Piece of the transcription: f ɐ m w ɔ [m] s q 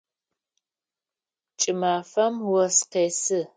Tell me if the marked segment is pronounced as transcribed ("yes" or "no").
no